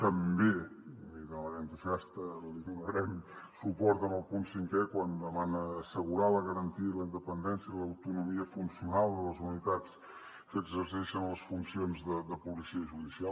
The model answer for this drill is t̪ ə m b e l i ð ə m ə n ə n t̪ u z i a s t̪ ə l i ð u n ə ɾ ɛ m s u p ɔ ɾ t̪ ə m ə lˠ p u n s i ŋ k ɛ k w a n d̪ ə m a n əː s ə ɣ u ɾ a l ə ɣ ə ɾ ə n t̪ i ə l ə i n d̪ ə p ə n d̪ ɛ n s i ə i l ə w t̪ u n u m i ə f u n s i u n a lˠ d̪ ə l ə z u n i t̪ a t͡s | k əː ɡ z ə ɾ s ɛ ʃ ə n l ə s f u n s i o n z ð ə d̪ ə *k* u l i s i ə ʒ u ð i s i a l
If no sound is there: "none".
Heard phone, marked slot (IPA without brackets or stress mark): p